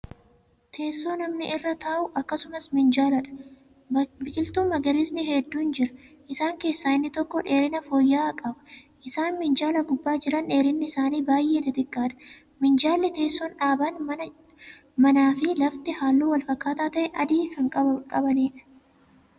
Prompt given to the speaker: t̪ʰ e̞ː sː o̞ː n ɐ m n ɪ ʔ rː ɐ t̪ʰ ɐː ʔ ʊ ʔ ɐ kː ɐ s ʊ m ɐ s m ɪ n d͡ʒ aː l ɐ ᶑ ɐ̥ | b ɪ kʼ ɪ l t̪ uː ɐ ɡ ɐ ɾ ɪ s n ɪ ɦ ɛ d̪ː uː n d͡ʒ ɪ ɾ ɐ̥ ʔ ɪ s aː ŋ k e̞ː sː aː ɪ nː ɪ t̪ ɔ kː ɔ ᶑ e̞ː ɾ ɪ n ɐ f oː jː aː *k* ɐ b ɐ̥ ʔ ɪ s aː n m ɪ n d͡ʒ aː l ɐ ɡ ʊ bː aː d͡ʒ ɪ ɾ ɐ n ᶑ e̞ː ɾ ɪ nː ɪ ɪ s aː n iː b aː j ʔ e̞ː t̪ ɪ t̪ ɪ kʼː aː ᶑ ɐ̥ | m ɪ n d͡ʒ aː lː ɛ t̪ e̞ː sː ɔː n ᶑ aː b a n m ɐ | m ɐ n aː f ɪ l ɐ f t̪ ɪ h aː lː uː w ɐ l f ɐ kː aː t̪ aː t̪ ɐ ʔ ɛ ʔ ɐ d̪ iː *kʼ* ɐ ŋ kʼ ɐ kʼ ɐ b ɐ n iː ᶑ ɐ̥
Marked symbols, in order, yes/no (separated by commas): no, no